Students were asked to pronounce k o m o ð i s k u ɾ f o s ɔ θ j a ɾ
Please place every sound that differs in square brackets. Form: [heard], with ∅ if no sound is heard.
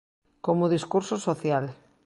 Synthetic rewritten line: k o m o ð i s k u ɾ [s] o s [o] θ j a [l]